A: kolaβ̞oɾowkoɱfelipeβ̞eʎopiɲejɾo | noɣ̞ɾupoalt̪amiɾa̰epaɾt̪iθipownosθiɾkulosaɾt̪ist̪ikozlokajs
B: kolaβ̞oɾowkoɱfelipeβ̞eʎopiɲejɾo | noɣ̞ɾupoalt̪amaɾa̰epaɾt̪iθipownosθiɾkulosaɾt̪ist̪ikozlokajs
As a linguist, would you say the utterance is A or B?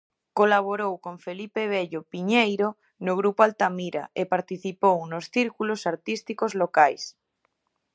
A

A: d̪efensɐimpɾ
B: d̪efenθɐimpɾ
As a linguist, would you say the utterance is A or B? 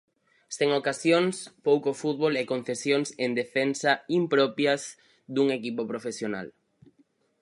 A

